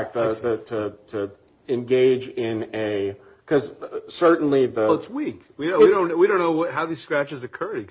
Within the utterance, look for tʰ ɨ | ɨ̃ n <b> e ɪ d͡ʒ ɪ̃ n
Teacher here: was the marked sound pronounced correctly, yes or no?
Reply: no